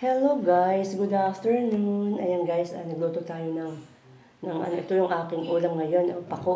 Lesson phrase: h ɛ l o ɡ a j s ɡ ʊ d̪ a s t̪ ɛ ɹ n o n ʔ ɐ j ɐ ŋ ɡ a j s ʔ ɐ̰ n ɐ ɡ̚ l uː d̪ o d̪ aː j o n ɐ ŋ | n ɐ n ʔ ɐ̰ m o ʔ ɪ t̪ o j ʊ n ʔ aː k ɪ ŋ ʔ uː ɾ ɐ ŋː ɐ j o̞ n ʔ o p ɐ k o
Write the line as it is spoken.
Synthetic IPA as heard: h ɛ l o ɡ a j s ɡ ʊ d̪ a f t̪ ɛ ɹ n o n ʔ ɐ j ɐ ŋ ɡ a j s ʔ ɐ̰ n ɐ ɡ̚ l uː t̪ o t̪ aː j o n ɐ ŋ | n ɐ ŋ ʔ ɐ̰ n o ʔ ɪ t̪ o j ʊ ŋ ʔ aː k ɪ ŋ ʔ uː l ɐ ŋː ɐ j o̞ n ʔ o p ɐ k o